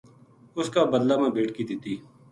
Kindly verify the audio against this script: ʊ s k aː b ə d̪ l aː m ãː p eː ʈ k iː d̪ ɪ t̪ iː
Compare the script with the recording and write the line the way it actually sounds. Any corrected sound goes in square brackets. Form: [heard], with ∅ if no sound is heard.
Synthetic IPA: ʊ s k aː b ə d̪ l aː m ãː [b] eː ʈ k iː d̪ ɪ t̪ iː